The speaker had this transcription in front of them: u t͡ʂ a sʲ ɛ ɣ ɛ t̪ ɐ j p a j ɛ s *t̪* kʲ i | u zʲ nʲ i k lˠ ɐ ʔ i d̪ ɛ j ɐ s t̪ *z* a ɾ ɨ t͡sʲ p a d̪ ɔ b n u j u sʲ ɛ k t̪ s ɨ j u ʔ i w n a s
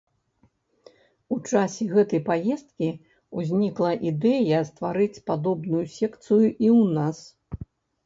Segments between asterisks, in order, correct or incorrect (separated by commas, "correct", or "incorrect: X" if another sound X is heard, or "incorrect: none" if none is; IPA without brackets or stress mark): correct, incorrect: v